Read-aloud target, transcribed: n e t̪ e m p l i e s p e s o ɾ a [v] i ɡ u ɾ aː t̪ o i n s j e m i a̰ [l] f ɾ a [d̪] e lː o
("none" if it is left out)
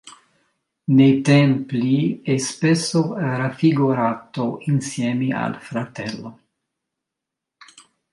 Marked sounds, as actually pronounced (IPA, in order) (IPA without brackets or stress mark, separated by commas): f, l, t̪